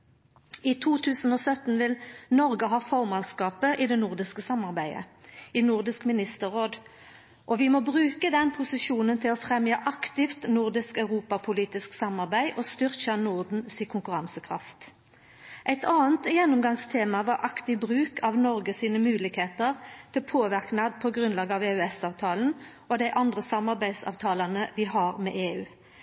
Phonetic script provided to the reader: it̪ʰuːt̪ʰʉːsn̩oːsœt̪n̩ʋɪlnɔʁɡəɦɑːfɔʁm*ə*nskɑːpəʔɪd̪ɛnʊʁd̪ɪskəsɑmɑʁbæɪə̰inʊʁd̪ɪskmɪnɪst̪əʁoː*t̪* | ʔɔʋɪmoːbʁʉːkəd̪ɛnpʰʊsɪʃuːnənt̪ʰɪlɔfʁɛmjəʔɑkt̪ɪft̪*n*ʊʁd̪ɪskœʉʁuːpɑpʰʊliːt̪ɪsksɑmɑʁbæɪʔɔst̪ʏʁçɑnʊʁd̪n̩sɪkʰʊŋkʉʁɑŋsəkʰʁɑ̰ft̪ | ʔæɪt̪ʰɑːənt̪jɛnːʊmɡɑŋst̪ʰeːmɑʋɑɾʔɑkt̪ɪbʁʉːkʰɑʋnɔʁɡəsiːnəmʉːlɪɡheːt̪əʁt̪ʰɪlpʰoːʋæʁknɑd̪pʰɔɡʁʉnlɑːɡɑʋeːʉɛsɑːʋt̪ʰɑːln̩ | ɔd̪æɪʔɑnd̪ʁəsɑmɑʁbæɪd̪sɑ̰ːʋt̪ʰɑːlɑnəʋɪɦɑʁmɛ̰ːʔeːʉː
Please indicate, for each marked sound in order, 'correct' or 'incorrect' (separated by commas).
incorrect, incorrect, correct